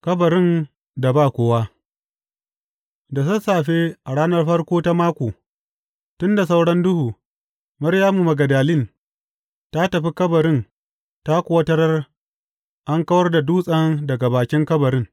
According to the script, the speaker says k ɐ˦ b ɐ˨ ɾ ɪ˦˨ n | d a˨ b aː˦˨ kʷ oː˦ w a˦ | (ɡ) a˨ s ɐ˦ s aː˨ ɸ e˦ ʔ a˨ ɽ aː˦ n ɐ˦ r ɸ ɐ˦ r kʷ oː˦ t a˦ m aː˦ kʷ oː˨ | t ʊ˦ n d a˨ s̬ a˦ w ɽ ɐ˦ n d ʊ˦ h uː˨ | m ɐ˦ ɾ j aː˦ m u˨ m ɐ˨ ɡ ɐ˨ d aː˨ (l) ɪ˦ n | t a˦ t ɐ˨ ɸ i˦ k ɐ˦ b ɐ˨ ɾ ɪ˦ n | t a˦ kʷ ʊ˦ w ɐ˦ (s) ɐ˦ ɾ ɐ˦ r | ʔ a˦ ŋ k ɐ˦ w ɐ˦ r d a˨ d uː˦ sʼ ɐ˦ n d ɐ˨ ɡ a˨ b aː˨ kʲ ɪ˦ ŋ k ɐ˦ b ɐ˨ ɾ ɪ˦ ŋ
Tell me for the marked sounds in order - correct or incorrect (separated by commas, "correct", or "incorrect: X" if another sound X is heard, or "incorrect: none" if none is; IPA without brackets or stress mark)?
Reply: incorrect: d, correct, incorrect: t